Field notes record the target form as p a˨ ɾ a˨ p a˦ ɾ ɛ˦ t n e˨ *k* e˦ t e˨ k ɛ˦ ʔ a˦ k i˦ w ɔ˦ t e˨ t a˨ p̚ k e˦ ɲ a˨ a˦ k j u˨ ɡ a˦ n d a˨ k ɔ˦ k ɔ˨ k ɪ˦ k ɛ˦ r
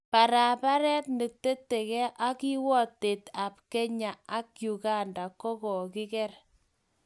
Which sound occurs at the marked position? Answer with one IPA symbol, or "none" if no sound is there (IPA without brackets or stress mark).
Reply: t